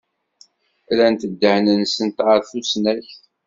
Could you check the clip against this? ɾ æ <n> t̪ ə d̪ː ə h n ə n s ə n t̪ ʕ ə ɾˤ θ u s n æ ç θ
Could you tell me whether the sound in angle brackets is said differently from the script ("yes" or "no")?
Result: no